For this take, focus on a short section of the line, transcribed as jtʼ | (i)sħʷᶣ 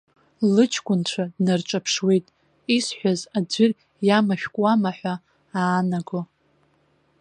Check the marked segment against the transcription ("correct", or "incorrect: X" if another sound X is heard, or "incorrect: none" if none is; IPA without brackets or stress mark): correct